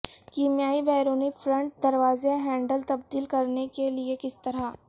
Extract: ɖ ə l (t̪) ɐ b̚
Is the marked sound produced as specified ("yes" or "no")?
yes